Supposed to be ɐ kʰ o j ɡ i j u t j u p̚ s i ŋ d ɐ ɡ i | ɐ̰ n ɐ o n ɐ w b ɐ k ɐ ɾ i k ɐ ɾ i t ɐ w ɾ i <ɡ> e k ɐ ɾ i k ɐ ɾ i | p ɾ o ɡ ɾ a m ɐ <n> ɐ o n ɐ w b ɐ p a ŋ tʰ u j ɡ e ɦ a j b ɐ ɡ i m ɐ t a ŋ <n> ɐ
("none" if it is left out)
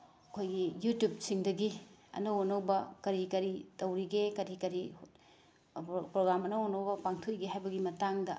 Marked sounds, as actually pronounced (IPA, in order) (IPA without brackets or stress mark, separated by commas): ɡ, n, d